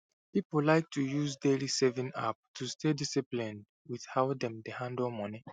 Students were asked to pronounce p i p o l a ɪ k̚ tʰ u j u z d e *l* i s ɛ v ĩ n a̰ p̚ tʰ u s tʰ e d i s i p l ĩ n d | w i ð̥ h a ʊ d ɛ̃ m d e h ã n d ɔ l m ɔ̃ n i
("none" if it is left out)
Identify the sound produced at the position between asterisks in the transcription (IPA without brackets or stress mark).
l